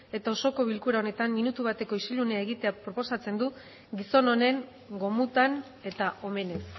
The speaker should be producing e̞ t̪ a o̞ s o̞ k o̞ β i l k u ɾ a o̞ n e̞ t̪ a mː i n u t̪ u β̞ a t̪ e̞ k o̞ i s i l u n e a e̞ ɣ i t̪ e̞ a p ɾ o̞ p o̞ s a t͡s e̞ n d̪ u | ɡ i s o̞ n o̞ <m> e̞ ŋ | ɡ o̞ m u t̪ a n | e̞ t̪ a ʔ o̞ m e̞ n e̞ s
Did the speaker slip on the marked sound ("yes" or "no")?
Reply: yes